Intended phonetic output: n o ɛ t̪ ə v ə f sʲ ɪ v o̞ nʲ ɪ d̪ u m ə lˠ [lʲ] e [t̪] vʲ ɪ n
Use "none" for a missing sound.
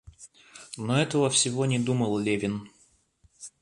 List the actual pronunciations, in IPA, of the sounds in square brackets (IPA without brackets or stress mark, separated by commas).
lʲ, none